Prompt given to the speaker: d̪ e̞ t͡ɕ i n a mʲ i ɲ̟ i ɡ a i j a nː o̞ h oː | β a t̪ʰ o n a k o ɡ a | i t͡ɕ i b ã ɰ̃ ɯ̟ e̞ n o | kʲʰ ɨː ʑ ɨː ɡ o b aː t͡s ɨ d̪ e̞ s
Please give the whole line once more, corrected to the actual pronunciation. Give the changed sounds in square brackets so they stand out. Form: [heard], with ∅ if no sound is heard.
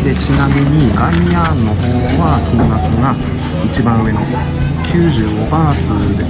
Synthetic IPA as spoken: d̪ e̞ t͡ɕ i n a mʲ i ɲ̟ i ɡ a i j a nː o̞ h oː | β a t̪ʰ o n a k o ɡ a | i t͡ɕ i b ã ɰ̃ ɯ̟ e̞ n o | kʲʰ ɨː ʑ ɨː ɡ o b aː t͡s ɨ d̪ e̞ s

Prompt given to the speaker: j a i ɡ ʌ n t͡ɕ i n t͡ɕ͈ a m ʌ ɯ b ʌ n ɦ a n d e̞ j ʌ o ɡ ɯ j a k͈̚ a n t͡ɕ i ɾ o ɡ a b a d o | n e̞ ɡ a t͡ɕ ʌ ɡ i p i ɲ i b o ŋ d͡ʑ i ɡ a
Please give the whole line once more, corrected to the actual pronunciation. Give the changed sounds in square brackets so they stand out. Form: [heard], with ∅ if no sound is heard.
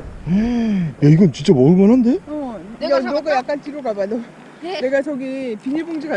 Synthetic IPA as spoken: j a i ɡ ʌ n t͡ɕ i n t͡ɕ͈ a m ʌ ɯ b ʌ n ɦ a n d e̞ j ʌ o ɡ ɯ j a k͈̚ a n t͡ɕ i ɾ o ɡ a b a d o | n e̞ ɡ a t͡ɕ ʌ ɡ i p i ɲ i b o ŋ d͡ʑ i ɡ a

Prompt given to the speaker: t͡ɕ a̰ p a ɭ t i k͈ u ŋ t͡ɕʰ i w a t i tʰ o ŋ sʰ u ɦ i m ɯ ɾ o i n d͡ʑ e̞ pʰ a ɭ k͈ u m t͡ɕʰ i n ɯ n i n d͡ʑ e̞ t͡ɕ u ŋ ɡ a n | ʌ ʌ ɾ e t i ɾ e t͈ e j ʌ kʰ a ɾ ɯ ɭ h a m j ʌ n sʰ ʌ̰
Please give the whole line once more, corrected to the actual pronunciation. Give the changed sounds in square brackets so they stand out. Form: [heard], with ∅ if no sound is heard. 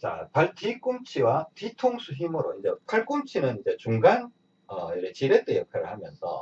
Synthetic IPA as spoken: t͡ɕ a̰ p a ɭ t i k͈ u [m] t͡ɕʰ i w a t i tʰ o ŋ sʰ u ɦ i m ɯ ɾ o i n d͡ʑ e̞ pʰ a ɭ k͈ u m t͡ɕʰ i n ɯ n i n d͡ʑ e̞ t͡ɕ u ŋ ɡ a n | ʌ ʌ ɾ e [t͡ɕ] i ɾ e t͈ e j ʌ kʰ a ɾ ɯ ɭ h a m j ʌ n sʰ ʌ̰

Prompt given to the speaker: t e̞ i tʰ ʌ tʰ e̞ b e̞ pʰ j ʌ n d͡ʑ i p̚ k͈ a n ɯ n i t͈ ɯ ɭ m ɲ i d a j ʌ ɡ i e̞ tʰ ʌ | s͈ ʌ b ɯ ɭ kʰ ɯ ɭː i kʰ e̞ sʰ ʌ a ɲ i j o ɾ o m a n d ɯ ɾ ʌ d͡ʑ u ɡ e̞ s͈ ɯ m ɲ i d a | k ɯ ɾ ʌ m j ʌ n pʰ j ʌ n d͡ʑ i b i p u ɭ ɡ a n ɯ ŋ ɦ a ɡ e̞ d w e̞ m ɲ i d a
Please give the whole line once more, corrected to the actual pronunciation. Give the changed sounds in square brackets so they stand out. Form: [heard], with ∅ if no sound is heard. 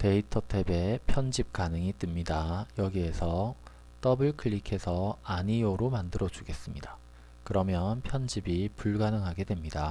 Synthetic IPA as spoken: t e̞ i tʰ ʌ tʰ e̞ b e̞ pʰ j ʌ n d͡ʑ i p̚ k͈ a n ɯ [ŋ] i t͈ ɯ [∅] m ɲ i d a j ʌ ɡ i e̞ [sʰ] ʌ | [t͈] ʌ b ɯ ɭ kʰ ɯ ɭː i kʰ e̞ sʰ ʌ a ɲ i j o ɾ o m a n d ɯ ɾ ʌ d͡ʑ u ɡ e̞ s͈ ɯ m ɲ i d a | k ɯ ɾ ʌ m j ʌ n pʰ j ʌ n d͡ʑ i b i p u ɭ ɡ a n ɯ ŋ ɦ a ɡ e̞ d w e̞ m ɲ i d a

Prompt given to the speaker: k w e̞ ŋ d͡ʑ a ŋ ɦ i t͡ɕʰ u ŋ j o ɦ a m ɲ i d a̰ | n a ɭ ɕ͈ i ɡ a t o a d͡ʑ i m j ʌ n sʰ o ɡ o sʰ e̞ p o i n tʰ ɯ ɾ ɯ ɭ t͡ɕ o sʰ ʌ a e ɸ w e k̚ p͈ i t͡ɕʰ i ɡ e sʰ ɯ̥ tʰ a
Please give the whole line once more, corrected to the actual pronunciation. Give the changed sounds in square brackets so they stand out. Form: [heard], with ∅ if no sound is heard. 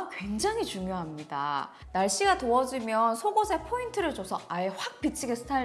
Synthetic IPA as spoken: k w e̞ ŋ d͡ʑ a ŋ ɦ i [t͡ɕ] u ŋ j o ɦ a m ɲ i d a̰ | n a ɭ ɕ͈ i ɡ a t o [ʌ] d͡ʑ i m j ʌ n sʰ o ɡ o sʰ e̞ [pʰ] o i n tʰ ɯ ɾ ɯ ɭ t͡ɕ o sʰ ʌ a e ɸ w [a] k̚ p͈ i t͡ɕʰ i ɡ e sʰ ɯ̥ tʰ a

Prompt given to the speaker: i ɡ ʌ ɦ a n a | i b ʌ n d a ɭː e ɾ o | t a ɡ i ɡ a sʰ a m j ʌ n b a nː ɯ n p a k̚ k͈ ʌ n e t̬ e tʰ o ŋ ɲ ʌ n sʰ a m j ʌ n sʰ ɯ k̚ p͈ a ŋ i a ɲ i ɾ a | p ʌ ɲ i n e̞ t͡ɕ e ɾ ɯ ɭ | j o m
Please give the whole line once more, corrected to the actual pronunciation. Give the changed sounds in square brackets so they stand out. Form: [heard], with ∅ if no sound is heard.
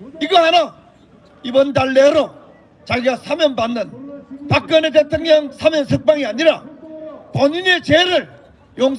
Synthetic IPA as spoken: i ɡ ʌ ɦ a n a | i b ʌ n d a ɭː e ɾ o | [t͡ɕ] a ɡ i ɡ a sʰ a m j ʌ n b a nː ɯ n p a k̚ k͈ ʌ n e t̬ e tʰ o ŋ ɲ ʌ [ŋ] sʰ a m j ʌ n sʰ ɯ k̚ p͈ a ŋ i a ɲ i ɾ a | p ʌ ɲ i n e̞ t͡ɕ e ɾ ɯ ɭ | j o [ŋ]

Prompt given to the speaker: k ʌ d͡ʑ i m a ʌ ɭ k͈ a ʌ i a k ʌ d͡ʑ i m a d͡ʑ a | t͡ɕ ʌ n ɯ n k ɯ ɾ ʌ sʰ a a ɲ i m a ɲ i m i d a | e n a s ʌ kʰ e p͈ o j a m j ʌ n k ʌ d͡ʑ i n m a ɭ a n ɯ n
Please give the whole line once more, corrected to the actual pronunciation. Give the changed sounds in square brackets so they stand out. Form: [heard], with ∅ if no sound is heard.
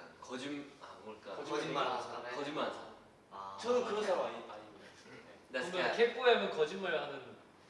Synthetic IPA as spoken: k ʌ d͡ʑ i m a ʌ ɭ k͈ a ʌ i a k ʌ d͡ʑ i m a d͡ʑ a | t͡ɕ ʌ n ɯ n k ɯ ɾ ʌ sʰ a a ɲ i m a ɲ i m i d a | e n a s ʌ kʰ e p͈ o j a m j ʌ n k ʌ d͡ʑ i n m a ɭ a n ɯ n

